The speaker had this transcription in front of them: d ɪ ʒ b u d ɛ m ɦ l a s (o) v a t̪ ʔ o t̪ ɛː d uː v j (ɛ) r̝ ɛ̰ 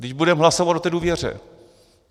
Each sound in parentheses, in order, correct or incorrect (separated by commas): correct, correct